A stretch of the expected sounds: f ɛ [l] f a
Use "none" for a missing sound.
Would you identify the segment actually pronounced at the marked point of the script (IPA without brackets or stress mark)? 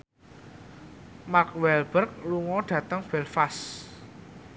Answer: l